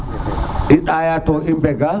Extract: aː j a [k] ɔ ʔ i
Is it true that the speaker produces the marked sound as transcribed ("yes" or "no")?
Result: no